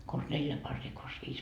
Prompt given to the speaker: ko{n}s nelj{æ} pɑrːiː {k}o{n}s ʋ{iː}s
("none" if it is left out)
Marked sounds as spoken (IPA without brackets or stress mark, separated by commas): n, æ, k, n, iː